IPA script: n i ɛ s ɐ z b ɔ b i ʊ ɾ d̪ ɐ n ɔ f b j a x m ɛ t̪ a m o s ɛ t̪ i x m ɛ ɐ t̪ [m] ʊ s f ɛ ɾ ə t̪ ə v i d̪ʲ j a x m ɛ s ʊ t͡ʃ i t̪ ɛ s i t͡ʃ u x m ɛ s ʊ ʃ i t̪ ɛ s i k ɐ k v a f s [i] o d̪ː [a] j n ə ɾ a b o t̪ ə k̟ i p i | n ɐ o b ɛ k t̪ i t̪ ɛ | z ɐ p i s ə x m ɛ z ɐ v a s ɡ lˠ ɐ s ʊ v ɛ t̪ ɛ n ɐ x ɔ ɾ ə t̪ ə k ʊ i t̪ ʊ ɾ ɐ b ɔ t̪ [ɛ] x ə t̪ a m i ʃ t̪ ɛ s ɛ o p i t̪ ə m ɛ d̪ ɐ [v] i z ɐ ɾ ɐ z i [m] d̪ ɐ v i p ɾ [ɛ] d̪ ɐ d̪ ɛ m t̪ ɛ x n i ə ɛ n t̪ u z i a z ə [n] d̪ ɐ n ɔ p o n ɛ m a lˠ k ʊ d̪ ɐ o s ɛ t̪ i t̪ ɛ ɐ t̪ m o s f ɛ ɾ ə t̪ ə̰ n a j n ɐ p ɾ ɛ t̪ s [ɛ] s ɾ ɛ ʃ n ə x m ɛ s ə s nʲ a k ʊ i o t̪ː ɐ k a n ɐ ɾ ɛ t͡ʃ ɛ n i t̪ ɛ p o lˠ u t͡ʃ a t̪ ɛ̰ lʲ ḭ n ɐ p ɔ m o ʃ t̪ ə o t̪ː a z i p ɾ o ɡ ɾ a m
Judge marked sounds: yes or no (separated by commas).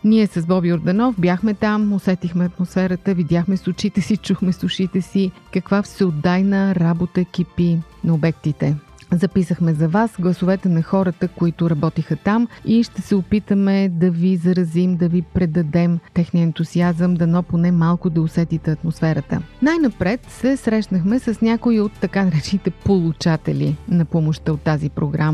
yes, no, yes, no, yes, yes, yes, no, yes